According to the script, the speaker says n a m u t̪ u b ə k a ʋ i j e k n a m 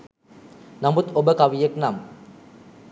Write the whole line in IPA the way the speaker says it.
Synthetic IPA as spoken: n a m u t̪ o b ə k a ʋ i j e k n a m